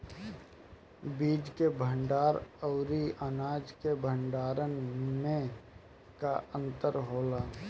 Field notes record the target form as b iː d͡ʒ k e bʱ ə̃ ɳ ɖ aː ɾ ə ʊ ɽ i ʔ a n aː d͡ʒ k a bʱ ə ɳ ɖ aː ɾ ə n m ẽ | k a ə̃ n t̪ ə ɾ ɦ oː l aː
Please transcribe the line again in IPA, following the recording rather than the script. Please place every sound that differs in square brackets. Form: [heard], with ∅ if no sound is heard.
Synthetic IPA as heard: b iː d͡ʒ k e bʱ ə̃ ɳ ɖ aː ɾ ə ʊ [ɾ] i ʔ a n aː d͡ʒ k [e] bʱ ə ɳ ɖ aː ɾ ə n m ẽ | k a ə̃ n t̪ ə ɾ ɦ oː l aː

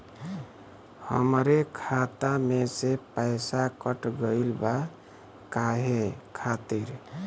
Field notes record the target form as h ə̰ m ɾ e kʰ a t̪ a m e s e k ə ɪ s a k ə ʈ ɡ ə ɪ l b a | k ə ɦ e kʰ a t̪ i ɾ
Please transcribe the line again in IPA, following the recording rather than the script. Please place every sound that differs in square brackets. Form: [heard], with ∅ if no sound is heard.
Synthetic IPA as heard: h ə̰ m ɾ e kʰ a t̪ a m e s e [p] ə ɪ s a k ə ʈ ɡ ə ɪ l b a | k [a] ɦ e kʰ a t̪ i ɾ

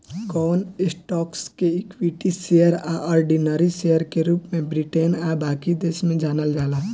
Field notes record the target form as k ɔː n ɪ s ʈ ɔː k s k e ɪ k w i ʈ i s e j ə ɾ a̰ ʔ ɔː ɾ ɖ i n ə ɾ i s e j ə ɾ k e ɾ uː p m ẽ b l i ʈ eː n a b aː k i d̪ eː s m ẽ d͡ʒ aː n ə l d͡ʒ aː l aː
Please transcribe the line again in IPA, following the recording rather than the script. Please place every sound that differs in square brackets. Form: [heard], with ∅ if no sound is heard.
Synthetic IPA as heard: k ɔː n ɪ s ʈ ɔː k s k e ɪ k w i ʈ i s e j ə ɾ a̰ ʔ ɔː ɾ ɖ i n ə ɾ i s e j ə ɾ k e ɾ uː p m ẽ b [ɾ] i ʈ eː n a b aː k i d̪ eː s m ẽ d͡ʒ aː n ə l d͡ʒ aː l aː

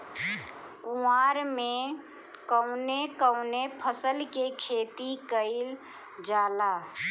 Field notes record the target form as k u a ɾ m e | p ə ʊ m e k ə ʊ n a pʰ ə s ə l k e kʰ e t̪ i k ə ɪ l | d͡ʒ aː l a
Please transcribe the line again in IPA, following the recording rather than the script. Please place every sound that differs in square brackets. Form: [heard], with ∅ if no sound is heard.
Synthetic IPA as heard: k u a ɾ m e | [k] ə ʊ [n] e k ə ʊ n [e] pʰ ə s ə l k e kʰ e t̪ i k ə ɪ l | d͡ʒ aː l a

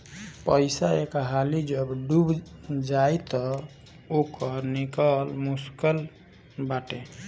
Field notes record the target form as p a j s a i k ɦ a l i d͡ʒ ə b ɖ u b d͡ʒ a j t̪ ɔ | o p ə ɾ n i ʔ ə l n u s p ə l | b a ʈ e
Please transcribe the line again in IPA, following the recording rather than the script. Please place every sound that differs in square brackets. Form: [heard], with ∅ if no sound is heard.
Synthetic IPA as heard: p [ə] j s a [e] k ɦ a l i d͡ʒ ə b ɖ u b d͡ʒ a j t̪ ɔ | o [k] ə ɾ n i [k] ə l [m] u s [k] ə l | b a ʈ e

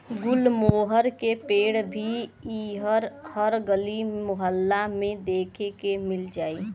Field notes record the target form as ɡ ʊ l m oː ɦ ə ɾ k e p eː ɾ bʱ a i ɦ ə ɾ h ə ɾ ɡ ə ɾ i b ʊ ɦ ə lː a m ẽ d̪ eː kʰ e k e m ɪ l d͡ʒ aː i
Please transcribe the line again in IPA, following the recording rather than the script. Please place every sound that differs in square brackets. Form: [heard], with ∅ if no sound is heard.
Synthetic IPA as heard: ɡ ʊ l m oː ɦ ə ɾ k e p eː [ɽ] bʱ [i] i ɦ ə ɾ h ə ɾ ɡ ə [l] i [m] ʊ ɦ ə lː a m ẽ d̪ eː kʰ e k e m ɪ l d͡ʒ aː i

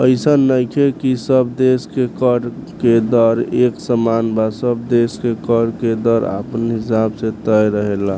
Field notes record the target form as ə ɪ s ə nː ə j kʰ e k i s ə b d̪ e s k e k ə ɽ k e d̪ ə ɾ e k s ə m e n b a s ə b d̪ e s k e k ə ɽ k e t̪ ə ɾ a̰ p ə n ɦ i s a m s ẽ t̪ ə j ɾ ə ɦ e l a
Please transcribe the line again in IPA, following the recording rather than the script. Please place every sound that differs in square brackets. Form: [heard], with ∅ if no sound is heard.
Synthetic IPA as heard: ə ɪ s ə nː ə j kʰ e k i s ə b d̪ e s k e k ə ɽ k e d̪ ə ɾ e k s ə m [a] n b a s ə b d̪ e s k e k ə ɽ k e [d̪] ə ɾ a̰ p ə n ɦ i s a [b] s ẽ t̪ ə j ɾ ə ɦ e l a

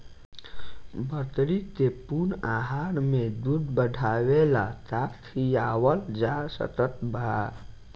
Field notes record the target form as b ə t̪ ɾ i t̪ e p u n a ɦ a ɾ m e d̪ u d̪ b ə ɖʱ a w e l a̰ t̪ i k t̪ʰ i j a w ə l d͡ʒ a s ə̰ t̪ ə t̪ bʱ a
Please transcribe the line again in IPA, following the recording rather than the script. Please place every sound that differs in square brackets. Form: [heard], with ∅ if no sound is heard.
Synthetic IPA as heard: b ə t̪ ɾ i t̪ e p u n a ɦ a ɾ m e d̪ u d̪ b ə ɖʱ a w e l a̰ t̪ [a] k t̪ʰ i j a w ə l d͡ʒ a s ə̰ t̪ ə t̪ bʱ a

